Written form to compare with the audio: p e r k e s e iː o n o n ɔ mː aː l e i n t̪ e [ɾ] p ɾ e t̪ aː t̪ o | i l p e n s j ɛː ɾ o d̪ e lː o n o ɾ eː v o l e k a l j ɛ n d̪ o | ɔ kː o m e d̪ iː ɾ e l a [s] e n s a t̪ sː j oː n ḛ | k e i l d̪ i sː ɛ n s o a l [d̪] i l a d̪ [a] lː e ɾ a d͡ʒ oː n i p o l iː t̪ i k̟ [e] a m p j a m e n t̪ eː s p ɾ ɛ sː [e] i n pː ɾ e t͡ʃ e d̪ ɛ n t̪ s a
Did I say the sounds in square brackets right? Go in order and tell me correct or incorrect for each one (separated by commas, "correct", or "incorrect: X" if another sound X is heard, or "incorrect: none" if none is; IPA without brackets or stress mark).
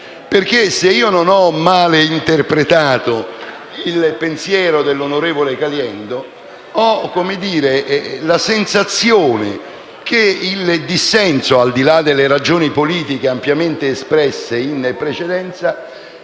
incorrect: r, correct, correct, incorrect: e, correct, correct